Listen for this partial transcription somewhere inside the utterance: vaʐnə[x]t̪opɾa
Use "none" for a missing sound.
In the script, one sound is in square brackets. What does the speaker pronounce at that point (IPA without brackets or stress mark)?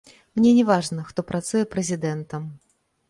x